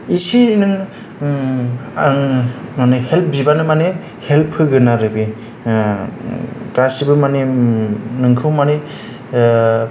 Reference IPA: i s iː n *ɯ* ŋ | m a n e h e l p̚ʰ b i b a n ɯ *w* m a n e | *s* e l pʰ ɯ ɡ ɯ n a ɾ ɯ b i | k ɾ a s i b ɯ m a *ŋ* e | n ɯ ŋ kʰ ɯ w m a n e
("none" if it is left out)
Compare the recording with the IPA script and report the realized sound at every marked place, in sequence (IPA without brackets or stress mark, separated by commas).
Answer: ɯ, none, h, n